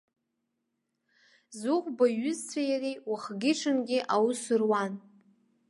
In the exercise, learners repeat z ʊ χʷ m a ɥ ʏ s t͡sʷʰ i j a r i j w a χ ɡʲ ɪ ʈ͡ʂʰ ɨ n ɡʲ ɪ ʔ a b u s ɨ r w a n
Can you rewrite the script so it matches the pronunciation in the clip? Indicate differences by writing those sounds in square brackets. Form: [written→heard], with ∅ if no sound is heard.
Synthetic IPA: z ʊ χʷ [m→b] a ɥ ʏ [s→z] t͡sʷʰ [i→a] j a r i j w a χ ɡʲ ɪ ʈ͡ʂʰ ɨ n ɡʲ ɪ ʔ a [b→w] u s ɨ r w a n